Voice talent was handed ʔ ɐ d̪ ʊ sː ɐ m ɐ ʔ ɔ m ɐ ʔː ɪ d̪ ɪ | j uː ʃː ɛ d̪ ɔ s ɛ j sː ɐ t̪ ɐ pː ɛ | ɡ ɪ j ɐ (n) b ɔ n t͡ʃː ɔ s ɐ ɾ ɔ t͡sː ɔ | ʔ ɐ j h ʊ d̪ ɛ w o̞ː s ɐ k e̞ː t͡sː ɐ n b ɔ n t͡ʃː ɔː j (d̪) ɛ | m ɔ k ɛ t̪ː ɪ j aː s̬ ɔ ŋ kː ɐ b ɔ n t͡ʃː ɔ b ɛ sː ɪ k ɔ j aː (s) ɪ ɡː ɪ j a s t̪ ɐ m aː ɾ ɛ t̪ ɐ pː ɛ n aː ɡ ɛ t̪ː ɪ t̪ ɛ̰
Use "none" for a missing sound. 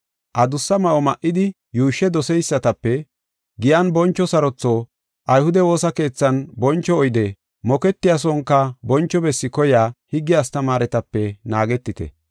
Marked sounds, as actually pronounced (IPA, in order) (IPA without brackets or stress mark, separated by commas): n, d̪, h